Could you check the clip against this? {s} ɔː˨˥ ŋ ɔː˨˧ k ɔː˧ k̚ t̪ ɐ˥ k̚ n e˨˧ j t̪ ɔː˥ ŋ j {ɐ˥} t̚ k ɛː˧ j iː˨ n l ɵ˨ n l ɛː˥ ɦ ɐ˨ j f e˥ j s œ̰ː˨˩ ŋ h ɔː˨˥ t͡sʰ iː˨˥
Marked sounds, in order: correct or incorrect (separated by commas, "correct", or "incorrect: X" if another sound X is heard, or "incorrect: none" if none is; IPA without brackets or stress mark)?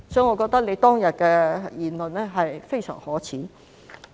correct, incorrect: ɐ˨